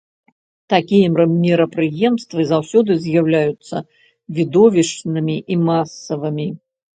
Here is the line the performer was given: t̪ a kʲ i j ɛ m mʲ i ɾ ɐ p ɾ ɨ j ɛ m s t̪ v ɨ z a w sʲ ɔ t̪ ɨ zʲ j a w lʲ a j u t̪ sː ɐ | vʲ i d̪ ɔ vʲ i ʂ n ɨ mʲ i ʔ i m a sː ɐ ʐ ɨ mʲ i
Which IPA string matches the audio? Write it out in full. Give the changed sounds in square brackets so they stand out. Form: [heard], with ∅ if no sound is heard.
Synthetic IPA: t̪ a kʲ i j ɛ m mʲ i ɾ ɐ p ɾ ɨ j ɛ m s t̪ v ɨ z a w sʲ ɔ [d̪] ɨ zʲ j a w lʲ a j u t̪ sː ɐ | vʲ i d̪ ɔ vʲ i ʂ n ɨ mʲ i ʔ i m a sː ɐ [v] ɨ mʲ i